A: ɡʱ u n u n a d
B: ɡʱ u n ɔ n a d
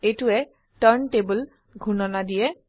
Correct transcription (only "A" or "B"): B